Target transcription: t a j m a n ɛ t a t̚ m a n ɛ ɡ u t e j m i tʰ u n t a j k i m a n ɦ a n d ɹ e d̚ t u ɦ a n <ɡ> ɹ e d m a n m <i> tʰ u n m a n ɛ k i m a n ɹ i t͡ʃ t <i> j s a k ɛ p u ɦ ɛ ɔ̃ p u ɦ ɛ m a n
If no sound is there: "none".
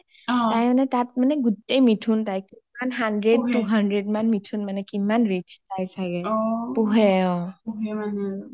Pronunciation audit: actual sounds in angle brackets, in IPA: d, i, a

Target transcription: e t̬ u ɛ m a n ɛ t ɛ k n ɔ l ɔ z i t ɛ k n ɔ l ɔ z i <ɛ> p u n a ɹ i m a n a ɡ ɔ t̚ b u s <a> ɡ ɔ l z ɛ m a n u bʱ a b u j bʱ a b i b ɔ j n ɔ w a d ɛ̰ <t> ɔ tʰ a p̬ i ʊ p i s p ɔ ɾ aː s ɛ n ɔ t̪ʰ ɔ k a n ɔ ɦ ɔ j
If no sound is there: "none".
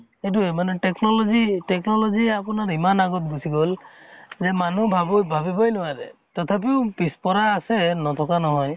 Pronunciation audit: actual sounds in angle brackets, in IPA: a, i, t

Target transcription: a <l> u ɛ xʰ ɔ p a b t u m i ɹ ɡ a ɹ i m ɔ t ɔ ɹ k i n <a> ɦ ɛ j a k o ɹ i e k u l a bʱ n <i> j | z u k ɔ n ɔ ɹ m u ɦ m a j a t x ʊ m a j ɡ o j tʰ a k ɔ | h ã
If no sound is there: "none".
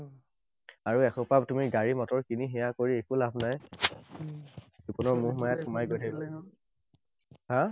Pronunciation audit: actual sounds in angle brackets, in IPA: ɹ, i, a

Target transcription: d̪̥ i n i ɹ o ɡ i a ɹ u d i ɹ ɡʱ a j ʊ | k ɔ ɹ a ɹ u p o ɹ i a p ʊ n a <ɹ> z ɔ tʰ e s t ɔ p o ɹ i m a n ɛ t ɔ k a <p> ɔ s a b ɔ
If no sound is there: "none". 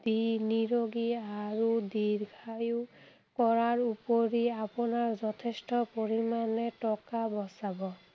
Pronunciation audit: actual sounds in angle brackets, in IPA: ɹ, b

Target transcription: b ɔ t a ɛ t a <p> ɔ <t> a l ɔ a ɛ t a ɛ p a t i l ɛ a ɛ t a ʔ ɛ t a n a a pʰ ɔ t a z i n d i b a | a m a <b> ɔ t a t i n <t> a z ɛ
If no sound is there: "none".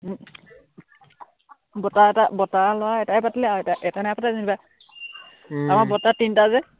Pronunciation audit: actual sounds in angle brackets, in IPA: b, t, b, t

